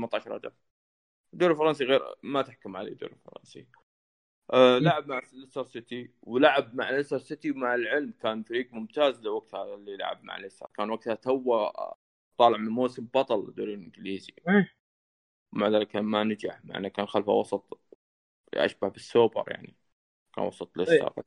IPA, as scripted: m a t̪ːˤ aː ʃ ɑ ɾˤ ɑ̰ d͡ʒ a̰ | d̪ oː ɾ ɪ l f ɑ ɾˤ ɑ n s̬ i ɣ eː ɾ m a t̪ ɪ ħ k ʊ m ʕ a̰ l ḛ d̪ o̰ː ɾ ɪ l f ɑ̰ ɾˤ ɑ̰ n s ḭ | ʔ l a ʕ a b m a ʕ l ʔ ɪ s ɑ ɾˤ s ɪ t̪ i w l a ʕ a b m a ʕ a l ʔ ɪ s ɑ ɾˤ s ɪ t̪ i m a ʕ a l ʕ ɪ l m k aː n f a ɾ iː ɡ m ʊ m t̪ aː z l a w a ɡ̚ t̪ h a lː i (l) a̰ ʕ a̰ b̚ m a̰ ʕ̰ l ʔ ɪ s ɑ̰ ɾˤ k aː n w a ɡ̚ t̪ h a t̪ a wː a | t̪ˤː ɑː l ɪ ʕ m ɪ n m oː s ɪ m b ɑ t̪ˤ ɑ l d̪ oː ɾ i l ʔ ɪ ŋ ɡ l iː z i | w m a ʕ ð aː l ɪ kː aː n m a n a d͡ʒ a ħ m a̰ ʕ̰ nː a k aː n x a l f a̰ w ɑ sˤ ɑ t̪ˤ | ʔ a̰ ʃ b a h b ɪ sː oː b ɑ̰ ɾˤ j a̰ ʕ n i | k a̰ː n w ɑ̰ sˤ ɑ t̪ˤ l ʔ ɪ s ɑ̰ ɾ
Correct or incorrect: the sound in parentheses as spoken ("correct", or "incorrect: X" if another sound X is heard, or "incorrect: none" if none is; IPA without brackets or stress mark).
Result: correct